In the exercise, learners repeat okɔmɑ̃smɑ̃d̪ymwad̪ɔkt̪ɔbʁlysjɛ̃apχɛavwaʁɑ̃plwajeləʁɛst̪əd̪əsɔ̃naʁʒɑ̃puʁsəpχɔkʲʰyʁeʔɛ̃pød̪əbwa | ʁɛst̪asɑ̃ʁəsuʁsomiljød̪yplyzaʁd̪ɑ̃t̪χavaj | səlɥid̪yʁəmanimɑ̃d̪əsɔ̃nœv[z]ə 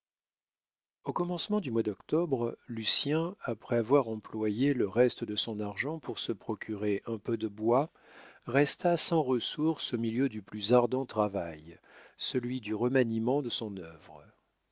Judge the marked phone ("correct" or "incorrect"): incorrect